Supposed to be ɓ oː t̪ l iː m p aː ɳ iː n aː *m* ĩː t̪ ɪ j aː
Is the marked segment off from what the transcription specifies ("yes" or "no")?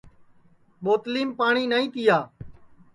yes